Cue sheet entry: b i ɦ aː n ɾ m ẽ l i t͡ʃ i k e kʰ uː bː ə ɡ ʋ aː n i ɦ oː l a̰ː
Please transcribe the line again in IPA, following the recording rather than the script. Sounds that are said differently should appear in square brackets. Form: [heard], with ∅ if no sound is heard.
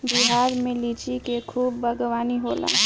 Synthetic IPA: b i ɦ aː [∅] ɾ m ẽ l i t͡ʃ i k e kʰ uː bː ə ɡ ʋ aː n i ɦ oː l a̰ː

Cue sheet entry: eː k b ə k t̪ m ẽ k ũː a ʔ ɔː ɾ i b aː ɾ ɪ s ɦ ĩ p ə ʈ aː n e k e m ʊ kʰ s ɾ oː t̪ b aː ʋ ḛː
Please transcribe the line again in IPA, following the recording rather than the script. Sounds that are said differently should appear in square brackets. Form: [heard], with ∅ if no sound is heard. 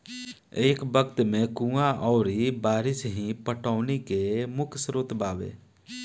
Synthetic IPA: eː k b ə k t̪ m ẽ k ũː a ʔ ɔː ɾ i b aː ɾ ɪ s ɦ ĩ p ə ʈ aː n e k e m ʊ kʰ s ɾ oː t̪ b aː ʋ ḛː

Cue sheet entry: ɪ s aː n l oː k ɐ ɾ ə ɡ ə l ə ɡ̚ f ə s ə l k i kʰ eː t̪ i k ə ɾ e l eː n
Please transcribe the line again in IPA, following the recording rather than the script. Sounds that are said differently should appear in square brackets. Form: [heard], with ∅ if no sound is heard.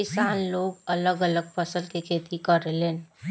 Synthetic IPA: ɪ s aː n l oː [ɡ] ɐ [l] ə ɡ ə l ə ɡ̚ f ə s ə l k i kʰ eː t̪ i k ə ɾ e l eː n

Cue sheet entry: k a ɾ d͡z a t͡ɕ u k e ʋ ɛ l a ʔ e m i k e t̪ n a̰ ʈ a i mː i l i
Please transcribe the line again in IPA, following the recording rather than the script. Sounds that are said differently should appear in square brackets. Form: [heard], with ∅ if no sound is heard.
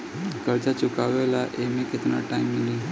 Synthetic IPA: k [ə] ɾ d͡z a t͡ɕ u k [a] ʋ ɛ l a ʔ e m i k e t̪ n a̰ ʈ a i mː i l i

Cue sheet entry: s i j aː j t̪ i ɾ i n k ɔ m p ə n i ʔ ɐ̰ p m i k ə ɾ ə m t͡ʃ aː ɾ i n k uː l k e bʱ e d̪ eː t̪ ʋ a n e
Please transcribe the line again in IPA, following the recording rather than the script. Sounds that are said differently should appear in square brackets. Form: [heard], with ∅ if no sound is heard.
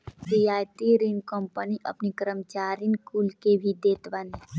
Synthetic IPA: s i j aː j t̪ i ɾ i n k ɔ m p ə n i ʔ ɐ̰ p [n] i k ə ɾ ə m t͡ʃ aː ɾ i n k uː l k e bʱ [i] d̪ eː t̪ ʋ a n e

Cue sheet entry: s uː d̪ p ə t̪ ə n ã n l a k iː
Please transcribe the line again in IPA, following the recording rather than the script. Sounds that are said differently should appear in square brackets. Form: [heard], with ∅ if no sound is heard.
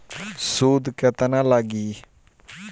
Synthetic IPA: s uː d̪ [k] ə t̪ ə n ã [∅] l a [ɡ] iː

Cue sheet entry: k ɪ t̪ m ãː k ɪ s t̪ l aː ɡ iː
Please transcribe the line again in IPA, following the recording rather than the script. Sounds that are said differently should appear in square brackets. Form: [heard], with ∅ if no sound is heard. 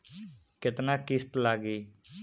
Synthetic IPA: k ɪ t̪ [n] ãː k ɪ s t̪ l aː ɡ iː

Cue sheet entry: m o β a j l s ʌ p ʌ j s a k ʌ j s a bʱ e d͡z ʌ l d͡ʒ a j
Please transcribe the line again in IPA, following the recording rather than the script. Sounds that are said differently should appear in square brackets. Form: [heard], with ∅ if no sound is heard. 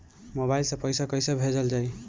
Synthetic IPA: m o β a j l s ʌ p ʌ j s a k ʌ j s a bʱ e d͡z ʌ l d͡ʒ a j

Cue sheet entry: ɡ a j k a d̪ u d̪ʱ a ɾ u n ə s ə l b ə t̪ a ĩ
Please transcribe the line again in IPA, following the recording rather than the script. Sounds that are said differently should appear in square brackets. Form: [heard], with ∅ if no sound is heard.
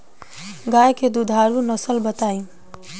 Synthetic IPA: ɡ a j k [e] d̪ u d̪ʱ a ɾ u n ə s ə l b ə t̪ a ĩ

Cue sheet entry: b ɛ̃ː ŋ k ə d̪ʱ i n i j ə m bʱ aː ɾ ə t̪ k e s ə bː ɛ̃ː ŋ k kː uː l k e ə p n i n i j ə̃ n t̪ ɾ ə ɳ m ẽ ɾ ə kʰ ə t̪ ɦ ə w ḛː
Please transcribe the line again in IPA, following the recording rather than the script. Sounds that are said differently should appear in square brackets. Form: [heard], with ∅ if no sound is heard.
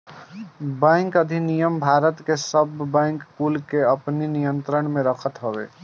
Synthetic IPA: b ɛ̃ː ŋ k ə d̪ʱ i n i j ə m bʱ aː ɾ ə t̪ k e s ə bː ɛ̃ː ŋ k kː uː l k e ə p n i n i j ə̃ n t̪ ɾ ə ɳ m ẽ ɾ ə kʰ ə t̪ ɦ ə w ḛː

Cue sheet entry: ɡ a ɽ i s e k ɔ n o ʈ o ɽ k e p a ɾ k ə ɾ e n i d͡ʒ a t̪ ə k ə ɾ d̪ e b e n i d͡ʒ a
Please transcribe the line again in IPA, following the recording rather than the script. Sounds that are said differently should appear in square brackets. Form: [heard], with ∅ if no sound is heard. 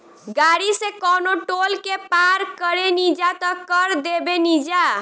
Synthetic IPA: ɡ a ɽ i s e k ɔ n o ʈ o [l] k e p a ɾ k ə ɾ e n i d͡ʒ a t̪ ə k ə ɾ d̪ e b e n i d͡ʒ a

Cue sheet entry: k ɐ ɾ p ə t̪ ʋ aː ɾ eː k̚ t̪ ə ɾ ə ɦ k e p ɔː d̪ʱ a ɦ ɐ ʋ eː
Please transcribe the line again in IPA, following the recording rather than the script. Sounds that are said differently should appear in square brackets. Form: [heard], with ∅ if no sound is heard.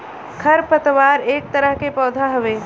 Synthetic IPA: [kʰ] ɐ ɾ p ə t̪ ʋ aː ɾ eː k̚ t̪ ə ɾ ə ɦ k e p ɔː d̪ʱ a ɦ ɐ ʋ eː

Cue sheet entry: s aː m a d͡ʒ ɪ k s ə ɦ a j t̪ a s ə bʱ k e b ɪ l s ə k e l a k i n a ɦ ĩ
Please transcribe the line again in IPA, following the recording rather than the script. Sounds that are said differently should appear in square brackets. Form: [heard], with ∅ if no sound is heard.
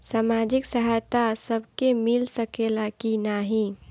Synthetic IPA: s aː m a d͡ʒ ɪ k s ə ɦ a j t̪ a s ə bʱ k e [m] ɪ l s ə k e l a k i n a ɦ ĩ

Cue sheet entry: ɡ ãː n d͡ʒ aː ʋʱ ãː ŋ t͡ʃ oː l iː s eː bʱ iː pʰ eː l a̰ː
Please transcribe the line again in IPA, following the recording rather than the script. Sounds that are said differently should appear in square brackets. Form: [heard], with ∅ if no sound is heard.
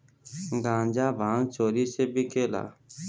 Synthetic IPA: ɡ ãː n d͡ʒ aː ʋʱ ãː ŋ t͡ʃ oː [ɾ] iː s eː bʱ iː [kʰ] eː l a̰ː

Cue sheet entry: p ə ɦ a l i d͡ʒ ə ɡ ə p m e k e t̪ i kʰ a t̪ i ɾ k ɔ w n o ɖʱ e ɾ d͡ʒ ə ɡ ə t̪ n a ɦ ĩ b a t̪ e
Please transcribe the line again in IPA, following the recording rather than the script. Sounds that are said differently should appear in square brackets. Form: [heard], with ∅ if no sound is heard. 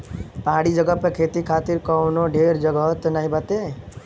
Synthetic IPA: p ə ɦ a [ɽ] i d͡ʒ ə ɡ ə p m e [kʰ] e t̪ i kʰ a t̪ i ɾ k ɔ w n o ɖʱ e ɾ d͡ʒ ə ɡ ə t̪ n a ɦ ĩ b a t̪ e

